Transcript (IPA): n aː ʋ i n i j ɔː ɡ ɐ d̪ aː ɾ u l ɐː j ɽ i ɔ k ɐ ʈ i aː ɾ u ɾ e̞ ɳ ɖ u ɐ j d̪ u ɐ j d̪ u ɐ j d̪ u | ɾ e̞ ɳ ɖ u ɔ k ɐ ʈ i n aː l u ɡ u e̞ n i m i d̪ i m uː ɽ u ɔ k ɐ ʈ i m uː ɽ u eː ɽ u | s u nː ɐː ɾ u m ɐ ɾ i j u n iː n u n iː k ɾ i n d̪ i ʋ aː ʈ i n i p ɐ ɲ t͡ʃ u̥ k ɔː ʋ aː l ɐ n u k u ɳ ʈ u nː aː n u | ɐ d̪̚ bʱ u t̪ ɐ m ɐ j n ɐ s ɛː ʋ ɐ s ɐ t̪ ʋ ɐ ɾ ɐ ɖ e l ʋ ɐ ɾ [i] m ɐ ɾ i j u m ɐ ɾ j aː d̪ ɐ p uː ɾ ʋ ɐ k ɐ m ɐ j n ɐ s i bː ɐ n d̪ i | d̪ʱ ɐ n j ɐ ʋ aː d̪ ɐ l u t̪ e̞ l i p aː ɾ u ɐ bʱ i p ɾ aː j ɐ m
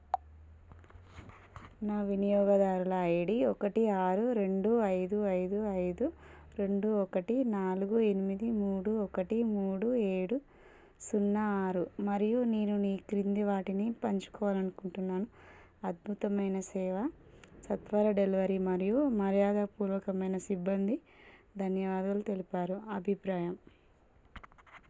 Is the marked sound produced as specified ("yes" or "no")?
yes